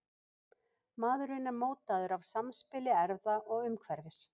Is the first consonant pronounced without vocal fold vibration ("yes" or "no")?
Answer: no